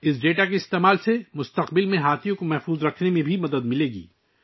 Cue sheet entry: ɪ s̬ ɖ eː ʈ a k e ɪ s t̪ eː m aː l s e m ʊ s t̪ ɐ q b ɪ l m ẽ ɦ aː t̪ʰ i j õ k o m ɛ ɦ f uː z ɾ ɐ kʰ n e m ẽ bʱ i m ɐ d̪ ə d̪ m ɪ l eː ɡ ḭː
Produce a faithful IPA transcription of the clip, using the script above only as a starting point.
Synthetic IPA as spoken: ɪ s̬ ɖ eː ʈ a k e ɪ s t̪ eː m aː l s e m ʊ s t̪ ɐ q b ɪ l m ẽ ɦ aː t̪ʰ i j õ k o m ɛ ɦ f uː z ɾ ɐ kʰ n e m ẽ bʱ i m ɐ d̪ ə d̪ m ɪ l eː ɡ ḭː